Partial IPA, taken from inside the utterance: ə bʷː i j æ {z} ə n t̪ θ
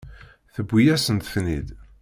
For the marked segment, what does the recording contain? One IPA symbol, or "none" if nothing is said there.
s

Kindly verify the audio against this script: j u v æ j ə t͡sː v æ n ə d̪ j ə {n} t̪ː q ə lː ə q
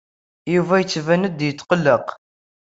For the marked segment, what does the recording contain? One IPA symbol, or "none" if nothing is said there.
none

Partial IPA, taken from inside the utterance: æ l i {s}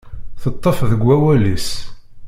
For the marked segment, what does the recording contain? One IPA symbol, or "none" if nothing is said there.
s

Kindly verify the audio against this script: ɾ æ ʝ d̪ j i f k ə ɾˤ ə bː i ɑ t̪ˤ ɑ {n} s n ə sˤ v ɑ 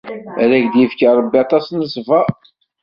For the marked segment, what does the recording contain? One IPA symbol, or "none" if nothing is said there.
none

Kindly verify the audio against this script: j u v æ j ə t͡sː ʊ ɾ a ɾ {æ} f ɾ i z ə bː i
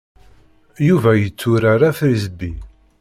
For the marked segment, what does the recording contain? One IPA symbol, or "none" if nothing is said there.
a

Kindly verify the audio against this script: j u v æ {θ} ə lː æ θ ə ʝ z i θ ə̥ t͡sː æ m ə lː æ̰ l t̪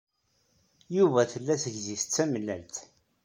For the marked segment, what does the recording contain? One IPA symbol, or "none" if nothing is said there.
θ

